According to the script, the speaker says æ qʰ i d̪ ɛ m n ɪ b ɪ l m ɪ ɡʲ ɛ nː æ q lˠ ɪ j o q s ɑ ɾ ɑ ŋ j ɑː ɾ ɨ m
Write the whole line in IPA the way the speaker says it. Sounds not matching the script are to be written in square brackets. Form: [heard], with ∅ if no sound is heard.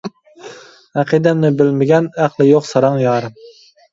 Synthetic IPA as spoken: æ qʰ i d̪ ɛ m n ɪ b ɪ l m ɪ ɡʲ ɛ [n] æ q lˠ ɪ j o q s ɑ ɾ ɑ ŋ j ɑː ɾ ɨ m